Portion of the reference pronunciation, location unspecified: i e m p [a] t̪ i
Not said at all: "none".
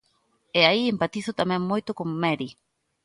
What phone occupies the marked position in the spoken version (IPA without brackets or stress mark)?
a